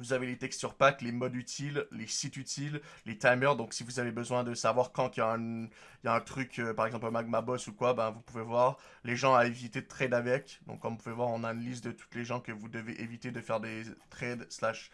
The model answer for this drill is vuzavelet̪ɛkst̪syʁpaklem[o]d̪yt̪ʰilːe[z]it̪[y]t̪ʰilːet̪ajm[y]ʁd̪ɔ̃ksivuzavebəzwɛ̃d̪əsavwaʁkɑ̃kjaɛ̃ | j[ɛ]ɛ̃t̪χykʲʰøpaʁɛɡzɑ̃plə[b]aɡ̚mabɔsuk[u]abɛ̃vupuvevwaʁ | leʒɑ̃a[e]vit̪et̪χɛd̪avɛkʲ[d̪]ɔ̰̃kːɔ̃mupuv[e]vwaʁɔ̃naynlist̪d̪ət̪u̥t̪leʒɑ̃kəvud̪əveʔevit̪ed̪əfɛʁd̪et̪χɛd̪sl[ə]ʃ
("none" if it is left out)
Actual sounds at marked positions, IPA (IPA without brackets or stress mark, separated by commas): ɔ, s, y, œ, a, m, w, e, d̪, e, a